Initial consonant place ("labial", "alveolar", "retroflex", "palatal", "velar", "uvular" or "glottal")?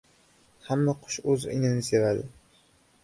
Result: glottal